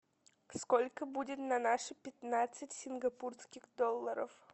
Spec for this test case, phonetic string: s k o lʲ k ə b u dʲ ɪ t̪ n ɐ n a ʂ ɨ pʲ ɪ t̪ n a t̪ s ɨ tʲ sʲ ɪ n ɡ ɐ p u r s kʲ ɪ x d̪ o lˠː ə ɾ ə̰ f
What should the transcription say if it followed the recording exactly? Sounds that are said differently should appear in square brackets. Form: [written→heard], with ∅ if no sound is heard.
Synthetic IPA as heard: s k o lʲ k ə b u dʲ ɪ t̪ n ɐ n a ʂ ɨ pʲ ɪ t̪ n a t̪ s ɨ tʲ sʲ ɪ n ɡ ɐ p u r s kʲ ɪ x d̪ o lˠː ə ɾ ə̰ f